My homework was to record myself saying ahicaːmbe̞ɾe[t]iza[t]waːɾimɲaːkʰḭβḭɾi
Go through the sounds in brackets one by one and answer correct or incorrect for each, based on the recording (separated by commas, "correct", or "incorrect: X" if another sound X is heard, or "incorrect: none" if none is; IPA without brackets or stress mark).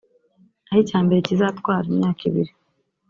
incorrect: c, correct